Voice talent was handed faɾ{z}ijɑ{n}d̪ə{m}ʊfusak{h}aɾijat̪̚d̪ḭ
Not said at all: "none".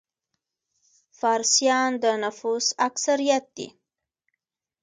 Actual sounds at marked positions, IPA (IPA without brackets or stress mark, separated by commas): s, n, n, s